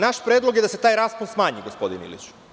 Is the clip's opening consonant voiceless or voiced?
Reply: voiced